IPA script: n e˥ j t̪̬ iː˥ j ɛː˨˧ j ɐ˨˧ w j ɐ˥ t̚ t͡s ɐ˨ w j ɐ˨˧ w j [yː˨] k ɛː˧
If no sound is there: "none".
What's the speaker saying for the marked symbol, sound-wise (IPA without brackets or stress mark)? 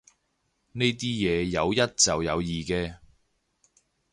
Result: iː˨